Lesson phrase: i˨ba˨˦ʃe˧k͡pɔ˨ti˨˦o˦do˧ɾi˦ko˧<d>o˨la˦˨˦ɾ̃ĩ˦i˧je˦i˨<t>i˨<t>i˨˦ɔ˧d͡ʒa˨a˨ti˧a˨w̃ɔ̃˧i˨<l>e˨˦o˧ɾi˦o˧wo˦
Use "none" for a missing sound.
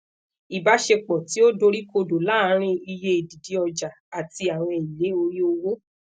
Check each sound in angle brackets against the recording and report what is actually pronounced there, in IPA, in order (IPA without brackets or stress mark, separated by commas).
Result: d, d, d, l